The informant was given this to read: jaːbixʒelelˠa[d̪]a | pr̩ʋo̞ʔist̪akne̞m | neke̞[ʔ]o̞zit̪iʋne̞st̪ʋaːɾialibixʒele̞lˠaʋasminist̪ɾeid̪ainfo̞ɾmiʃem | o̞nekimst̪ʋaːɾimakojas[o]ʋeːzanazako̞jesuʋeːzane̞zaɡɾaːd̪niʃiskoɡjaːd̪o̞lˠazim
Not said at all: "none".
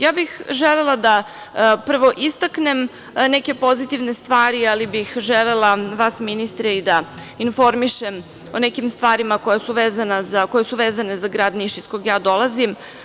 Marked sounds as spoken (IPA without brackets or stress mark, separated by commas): d̪, p, u